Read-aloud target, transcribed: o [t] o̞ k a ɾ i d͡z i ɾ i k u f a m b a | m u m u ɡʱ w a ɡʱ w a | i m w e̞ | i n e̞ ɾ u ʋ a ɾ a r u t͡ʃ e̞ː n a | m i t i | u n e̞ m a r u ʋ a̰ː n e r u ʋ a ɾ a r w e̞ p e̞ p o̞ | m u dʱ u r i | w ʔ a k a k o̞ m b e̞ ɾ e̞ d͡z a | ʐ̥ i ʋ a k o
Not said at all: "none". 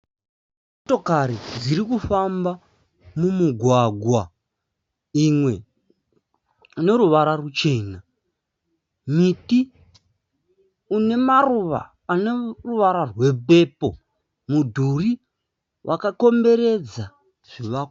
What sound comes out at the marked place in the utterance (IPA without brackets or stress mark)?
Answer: t